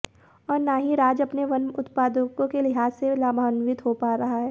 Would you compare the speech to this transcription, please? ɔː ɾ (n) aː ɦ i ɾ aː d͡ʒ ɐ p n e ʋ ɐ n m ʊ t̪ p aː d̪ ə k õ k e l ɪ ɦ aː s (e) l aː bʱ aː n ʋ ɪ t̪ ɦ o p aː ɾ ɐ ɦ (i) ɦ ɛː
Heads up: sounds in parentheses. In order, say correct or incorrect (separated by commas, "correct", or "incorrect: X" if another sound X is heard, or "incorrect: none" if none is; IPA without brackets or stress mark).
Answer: correct, correct, incorrect: a